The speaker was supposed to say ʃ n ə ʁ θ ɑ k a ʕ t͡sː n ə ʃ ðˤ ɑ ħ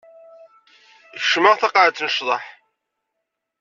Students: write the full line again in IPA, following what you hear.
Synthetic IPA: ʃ m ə ʁ θ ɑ q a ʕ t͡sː n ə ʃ ðˤ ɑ ħ

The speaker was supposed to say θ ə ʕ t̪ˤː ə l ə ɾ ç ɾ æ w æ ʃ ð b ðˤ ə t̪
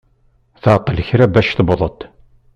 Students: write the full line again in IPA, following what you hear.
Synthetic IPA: θ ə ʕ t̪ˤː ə l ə ç ɾ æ b æ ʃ θ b ðˤ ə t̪

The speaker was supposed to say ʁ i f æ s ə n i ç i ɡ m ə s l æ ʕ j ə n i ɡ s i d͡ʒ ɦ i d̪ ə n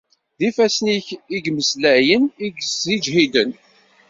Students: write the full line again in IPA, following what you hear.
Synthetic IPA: ð i f æ s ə n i ç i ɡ m ə s l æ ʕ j ə n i ɡ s i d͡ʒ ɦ i d̪ ə n

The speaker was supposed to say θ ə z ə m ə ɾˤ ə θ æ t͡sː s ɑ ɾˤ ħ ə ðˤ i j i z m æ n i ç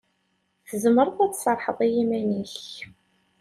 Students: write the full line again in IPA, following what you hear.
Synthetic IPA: θ ə z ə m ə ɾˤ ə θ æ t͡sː s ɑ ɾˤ ħ ə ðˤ i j i m æ n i ç

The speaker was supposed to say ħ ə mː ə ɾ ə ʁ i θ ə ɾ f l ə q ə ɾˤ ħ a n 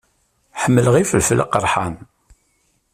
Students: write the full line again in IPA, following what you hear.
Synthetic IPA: ħ ə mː ə l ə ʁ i f ə l f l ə q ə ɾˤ ħ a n

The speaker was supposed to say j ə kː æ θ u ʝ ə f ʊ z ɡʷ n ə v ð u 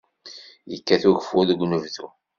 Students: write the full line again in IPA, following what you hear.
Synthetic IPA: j ə kː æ θ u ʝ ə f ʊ ð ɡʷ n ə v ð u

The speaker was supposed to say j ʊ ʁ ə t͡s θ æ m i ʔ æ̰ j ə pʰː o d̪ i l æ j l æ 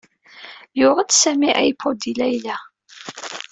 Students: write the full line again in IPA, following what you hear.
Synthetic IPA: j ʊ ʁ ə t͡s s æ m i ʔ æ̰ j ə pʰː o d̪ i l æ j l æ

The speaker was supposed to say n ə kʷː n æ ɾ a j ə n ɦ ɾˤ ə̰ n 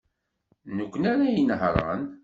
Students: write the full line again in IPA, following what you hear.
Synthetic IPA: n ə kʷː n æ ɾ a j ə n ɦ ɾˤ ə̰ n

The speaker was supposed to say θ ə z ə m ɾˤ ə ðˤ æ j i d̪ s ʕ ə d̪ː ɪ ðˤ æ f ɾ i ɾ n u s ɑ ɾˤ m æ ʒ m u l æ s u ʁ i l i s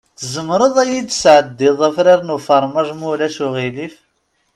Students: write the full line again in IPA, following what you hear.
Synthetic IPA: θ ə z ə m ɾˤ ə ðˤ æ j i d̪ s ʕ ə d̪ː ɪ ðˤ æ f ɾ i ɾ n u f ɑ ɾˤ m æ ʒ m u l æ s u ʁ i l i f

